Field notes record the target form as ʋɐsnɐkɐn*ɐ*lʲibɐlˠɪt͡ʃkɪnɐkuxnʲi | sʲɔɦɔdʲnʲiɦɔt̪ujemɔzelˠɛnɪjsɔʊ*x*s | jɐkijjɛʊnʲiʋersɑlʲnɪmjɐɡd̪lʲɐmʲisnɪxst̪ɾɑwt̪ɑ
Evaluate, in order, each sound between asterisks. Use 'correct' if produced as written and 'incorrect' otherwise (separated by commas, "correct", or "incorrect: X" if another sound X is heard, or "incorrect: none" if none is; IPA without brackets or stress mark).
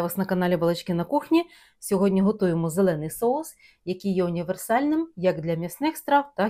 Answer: incorrect: ɑ, incorrect: none